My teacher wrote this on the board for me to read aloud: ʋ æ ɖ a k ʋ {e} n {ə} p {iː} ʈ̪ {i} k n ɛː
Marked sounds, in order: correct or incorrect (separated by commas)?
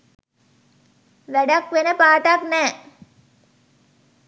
correct, correct, incorrect, incorrect